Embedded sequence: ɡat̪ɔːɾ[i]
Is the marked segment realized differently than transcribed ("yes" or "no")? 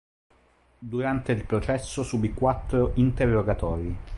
no